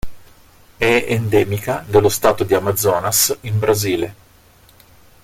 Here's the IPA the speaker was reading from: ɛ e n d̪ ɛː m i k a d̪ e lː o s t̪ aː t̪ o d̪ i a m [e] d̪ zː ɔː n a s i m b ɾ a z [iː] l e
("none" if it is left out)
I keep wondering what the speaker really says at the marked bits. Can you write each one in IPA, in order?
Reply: a, iː

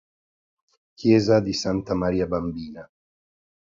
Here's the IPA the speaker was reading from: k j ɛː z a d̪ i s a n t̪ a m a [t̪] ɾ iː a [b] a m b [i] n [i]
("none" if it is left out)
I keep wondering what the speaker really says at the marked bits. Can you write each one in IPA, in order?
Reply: none, b, iː, a

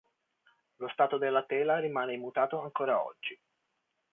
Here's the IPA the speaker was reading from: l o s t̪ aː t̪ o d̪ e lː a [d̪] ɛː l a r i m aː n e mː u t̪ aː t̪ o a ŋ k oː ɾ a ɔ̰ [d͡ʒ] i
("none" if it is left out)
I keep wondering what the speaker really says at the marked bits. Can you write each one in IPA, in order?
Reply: t̪, d͡ʒː

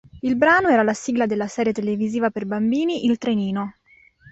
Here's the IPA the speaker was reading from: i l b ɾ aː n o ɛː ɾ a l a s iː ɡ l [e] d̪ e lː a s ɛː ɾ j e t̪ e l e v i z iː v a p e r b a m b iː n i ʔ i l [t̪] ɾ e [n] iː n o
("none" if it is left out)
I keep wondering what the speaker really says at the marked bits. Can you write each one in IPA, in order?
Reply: a, t̪, n

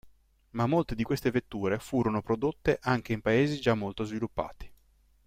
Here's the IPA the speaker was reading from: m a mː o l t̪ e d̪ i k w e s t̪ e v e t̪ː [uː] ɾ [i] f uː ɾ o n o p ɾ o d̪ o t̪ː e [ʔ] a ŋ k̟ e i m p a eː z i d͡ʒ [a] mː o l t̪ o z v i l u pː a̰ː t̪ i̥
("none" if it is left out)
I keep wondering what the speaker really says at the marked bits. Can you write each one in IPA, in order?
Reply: uː, e, ʔ, a

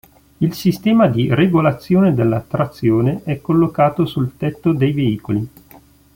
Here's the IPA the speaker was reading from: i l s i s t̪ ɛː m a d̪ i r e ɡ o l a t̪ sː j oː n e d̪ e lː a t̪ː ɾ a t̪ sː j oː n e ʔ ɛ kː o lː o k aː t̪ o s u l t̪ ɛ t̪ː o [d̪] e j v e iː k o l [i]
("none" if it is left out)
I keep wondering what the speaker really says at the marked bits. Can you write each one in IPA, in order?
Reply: d̪, i

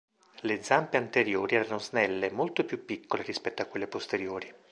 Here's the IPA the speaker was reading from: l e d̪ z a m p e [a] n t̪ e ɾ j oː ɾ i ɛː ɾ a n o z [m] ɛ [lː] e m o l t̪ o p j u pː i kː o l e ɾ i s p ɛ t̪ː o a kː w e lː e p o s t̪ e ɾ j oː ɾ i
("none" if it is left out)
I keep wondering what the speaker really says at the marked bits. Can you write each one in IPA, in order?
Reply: a, n, lː

